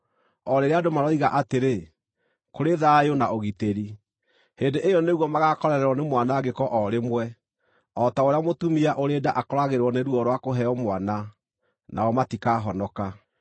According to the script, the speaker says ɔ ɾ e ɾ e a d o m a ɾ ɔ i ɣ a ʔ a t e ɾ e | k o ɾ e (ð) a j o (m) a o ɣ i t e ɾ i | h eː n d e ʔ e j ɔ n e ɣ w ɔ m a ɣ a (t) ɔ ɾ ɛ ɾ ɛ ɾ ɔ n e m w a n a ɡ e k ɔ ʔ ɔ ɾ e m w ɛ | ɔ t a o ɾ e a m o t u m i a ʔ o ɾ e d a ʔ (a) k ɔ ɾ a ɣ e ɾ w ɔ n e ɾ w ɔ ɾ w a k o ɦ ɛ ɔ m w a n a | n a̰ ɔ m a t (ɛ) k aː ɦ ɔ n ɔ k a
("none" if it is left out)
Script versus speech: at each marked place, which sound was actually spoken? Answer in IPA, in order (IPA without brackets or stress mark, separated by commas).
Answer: ð, n, k, a, i